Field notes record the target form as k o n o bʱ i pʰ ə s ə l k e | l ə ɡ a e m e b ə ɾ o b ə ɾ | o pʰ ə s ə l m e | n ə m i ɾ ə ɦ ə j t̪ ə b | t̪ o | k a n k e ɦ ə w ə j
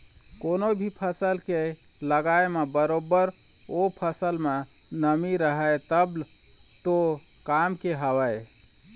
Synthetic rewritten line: k o n o bʱ i pʰ ə s ə l k e | l ə ɡ a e m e b ə ɾ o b ə ɾ | o pʰ ə s ə l m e | n ə m i ɾ ə ɦ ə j t̪ ə b | t̪ o | k a m k e ɦ ə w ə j